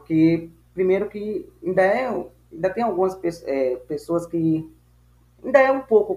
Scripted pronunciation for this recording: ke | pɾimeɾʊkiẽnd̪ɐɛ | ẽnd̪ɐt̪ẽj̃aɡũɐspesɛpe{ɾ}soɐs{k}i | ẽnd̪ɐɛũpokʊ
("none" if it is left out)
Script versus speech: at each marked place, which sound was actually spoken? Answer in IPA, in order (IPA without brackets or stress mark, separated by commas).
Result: none, k